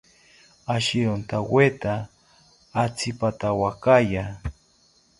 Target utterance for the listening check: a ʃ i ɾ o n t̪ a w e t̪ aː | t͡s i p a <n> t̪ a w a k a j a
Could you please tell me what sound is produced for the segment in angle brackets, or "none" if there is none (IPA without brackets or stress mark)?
none